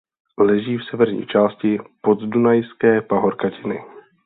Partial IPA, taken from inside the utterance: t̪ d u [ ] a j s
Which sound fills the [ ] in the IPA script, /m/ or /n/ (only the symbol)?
n